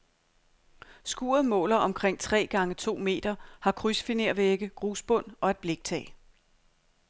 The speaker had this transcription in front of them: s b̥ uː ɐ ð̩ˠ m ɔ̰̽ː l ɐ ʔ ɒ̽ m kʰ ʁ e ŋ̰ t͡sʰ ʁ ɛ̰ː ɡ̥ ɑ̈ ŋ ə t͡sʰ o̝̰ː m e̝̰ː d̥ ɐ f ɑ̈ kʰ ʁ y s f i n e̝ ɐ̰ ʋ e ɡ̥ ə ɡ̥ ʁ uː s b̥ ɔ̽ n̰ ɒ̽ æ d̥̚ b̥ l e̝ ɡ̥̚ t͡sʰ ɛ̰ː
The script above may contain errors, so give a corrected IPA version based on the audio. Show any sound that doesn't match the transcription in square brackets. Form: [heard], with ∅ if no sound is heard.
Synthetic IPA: s [ɡ̥] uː ɐ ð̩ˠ m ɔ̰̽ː l ɐ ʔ ɒ̽ m kʰ ʁ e ŋ̰ t͡sʰ ʁ ɛ̰ː ɡ̥ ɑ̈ ŋ ə t͡sʰ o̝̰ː m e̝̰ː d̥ ɐ [h] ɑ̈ kʰ ʁ y s f i n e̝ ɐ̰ ʋ e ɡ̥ ə ɡ̥ ʁ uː s b̥ ɔ̽ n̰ ɒ̽ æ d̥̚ b̥ l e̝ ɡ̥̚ t͡sʰ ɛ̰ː